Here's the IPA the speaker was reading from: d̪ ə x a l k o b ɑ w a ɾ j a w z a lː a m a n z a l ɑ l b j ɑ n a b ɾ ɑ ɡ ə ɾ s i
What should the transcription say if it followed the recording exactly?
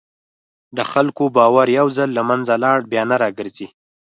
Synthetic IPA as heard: d̪ ə x a l k o b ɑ w a ɾ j a w z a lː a m a n z a l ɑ ɽ b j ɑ n a ɾ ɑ ɡ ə ɾ z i